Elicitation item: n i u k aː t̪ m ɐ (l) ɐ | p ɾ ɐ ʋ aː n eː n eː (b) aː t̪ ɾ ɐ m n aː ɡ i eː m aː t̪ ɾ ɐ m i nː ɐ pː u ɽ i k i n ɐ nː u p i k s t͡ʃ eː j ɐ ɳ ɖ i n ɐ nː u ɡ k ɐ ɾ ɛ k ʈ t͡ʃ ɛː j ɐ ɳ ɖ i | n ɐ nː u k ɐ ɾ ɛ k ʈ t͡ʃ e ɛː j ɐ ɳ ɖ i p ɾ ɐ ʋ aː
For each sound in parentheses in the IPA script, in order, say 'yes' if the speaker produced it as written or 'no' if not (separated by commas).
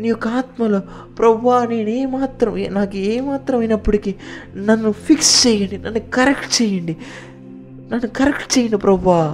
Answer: yes, no